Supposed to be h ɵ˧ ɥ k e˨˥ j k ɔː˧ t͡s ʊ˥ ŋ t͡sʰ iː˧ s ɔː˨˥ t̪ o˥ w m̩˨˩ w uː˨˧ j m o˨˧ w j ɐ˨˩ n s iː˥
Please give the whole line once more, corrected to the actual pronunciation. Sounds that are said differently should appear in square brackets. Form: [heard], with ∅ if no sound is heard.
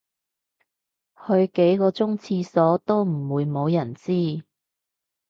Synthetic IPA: h ɵ˧ ɥ k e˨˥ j k ɔː˧ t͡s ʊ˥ ŋ t͡sʰ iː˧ s ɔː˨˥ t̪ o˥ w m̩˨˩ w uː˨˧ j m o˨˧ w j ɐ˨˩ n [t͡s] iː˥